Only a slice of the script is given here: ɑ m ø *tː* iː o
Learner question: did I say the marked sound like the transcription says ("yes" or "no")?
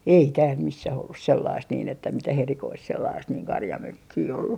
no